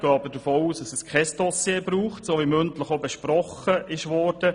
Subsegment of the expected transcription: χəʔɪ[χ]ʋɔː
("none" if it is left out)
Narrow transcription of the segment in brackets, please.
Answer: ʃ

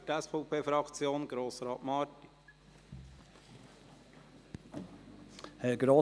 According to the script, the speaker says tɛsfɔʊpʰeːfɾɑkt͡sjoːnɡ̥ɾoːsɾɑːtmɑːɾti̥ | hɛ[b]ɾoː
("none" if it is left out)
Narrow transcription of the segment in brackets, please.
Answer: ɡ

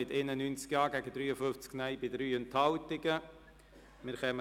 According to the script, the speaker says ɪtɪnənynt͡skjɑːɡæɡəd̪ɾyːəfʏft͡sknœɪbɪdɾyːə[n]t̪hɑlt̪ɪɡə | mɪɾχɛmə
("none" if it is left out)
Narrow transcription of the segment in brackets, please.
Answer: n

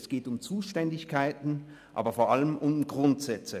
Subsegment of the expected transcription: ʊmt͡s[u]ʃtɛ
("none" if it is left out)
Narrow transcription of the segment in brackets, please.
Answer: uː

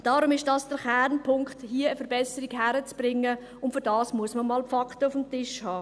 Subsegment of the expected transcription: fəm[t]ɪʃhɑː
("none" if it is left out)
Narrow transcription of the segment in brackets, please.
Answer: t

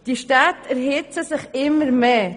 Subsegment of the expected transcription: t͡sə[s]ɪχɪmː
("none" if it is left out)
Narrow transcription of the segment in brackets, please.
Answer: s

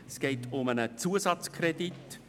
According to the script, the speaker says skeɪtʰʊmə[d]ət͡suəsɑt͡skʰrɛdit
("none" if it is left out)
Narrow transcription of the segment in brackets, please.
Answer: n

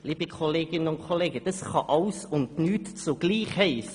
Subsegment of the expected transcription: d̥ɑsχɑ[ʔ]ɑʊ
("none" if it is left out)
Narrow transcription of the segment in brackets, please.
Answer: ʔ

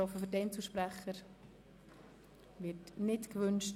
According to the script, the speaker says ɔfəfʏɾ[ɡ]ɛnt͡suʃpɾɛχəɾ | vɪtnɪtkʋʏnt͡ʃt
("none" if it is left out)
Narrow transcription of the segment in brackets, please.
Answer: d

